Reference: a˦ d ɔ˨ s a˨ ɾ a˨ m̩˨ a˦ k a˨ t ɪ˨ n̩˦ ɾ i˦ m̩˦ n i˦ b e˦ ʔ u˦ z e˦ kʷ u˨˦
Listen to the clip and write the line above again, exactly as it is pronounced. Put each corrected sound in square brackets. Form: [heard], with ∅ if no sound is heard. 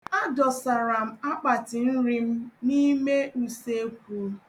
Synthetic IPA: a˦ d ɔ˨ s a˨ ɾ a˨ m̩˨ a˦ [k͡p] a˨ t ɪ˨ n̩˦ ɾ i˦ m̩˦ n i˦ [m] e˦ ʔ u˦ [s] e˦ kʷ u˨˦